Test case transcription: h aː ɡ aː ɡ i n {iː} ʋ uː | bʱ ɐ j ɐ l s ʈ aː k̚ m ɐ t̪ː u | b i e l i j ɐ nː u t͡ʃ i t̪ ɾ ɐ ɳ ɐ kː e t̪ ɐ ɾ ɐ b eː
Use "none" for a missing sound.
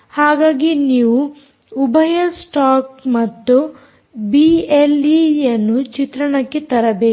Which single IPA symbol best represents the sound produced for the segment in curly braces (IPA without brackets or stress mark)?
iː